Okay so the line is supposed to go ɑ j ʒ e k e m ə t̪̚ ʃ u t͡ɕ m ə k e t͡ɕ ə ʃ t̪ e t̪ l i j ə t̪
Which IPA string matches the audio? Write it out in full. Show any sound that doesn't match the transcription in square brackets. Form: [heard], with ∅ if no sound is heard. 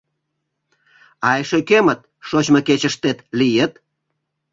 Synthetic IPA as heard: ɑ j [ʃ] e k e m ə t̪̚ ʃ [o] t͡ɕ m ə k e t͡ɕ ə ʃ t̪ e t̪ l i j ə t̪